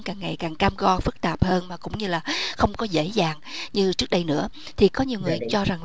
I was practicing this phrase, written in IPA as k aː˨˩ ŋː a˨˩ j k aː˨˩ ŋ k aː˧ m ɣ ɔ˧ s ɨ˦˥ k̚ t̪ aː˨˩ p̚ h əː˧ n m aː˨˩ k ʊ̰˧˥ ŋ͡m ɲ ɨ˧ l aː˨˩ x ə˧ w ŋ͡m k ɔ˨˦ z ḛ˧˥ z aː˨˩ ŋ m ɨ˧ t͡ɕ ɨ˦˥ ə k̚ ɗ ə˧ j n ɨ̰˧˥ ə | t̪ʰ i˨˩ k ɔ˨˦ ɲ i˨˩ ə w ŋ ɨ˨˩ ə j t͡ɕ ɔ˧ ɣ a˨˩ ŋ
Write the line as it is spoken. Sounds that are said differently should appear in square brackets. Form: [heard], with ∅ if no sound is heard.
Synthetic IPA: k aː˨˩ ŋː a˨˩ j k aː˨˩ ŋ k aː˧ m ɣ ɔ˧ [f] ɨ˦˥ k̚ t̪ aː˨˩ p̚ h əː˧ n m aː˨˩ k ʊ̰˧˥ ŋ͡m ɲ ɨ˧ l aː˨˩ x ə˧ w ŋ͡m k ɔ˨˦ z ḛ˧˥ z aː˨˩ ŋ [ɲ] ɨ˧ t͡ɕ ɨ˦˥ ə k̚ ɗ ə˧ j n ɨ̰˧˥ ə | t̪ʰ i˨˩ k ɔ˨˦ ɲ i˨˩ ə w ŋ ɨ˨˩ ə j t͡ɕ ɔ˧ [z] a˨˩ ŋ